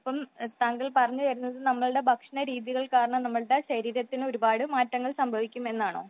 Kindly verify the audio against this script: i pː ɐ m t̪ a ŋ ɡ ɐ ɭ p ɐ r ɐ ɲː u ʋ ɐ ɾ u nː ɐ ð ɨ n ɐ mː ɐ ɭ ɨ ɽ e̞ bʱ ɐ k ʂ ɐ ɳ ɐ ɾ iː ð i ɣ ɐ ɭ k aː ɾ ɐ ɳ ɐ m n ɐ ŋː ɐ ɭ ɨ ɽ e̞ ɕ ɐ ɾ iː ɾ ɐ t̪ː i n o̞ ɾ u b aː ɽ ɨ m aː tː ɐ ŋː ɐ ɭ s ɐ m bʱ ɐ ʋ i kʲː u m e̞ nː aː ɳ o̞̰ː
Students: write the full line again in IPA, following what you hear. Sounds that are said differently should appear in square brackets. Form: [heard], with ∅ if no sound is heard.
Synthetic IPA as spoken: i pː ɐ m t̪ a ŋ ɡ ɐ ɭ p ɐ r ɐ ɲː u ʋ ɐ ɾ u nː ɐ ð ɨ n ɐ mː ɐ ɭ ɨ ɽ e̞ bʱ ɐ k ʂ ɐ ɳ ɐ ɾ iː ð i ɣ ɐ ɭ k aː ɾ ɐ ɳ ɐ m n ɐ [mː] ɐ ɭ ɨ ɽ e̞ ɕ ɐ ɾ iː ɾ ɐ t̪ː i n o̞ ɾ u b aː ɽ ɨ m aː tː ɐ ŋː ɐ ɭ s ɐ m bʱ ɐ ʋ i kʲː u m e̞ nː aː ɳ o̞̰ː